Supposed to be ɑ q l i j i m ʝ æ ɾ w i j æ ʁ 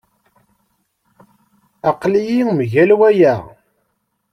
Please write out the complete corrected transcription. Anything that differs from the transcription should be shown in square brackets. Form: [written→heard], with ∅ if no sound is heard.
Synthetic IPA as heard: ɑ q l i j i m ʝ æ [ɾ→l] w [i→æ] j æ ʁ